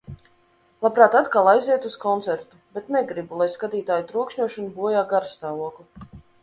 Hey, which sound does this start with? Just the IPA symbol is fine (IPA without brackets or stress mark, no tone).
lˠ